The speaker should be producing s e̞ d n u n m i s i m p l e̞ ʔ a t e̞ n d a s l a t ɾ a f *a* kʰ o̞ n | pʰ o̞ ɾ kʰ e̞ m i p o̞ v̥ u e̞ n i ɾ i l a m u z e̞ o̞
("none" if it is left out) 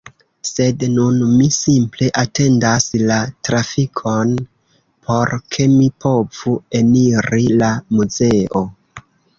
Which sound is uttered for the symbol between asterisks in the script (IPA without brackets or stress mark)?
i